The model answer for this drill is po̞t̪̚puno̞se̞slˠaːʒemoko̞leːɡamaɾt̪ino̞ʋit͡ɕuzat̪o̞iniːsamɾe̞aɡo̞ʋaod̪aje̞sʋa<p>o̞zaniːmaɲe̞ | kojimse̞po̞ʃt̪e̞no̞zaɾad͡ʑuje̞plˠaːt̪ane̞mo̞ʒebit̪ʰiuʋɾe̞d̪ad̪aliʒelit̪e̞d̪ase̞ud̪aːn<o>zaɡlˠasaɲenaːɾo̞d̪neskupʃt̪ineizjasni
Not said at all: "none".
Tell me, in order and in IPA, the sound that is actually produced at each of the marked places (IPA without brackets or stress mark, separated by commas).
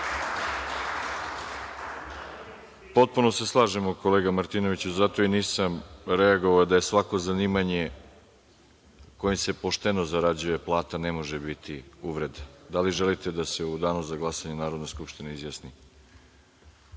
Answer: k, u